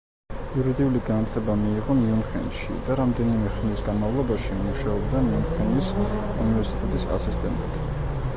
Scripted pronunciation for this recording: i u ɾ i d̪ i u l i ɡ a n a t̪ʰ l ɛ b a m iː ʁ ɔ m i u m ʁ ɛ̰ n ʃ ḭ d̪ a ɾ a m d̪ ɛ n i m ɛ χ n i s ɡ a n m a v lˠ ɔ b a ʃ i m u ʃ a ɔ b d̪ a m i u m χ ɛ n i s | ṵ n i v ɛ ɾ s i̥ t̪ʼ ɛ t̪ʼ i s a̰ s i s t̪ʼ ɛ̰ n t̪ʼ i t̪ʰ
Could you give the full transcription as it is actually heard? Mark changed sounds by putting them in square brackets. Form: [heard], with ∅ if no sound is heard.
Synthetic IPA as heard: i u ɾ i d̪ i u l i ɡ a n a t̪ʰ l ɛ b a m iː ʁ ɔ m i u m [χ] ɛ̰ n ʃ ḭ d̪ a ɾ a m d̪ ɛ n i m ɛ χ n i s ɡ a n m a v lˠ ɔ b a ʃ i m u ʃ a ɔ b d̪ a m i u m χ ɛ n i s | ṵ n i v ɛ ɾ s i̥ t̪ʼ ɛ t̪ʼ i s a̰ s i s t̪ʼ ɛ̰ n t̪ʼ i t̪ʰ